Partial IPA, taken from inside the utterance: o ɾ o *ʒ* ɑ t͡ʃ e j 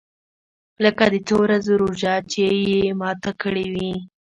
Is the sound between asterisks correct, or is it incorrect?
correct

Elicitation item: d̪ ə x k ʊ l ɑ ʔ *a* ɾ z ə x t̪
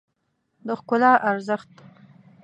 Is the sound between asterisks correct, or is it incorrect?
correct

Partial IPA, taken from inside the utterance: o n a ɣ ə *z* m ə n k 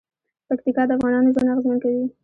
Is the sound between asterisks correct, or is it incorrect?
correct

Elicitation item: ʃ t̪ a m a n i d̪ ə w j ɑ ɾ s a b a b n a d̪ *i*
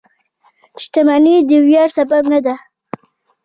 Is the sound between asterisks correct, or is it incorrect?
incorrect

